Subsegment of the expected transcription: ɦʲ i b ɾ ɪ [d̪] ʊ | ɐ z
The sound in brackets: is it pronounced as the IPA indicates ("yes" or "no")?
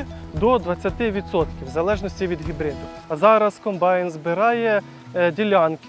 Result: yes